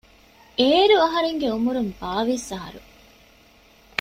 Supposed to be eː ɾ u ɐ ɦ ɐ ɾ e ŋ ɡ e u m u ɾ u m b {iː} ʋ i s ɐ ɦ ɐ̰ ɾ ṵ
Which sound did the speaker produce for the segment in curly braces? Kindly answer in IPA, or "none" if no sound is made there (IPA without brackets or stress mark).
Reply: aː